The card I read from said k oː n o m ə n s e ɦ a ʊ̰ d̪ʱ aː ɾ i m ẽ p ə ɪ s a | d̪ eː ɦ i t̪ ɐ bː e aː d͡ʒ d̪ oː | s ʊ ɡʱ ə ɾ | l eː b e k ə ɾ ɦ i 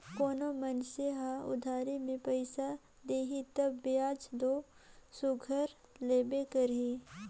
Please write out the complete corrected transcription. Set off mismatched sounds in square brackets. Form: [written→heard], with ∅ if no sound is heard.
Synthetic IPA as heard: k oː n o m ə n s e ɦ a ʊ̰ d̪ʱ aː ɾ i m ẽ p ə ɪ s a | d̪ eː ɦ i t̪ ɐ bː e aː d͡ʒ d̪ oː | s ʊ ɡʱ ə ɾ | l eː b e k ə ɾ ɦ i